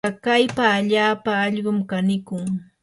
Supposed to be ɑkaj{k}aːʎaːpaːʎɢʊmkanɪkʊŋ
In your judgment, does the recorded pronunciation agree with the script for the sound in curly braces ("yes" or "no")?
no